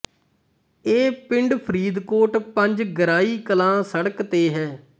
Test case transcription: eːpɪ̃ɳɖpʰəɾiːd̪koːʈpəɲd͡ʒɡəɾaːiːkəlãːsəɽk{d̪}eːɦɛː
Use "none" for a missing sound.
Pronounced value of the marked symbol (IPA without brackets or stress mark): t̪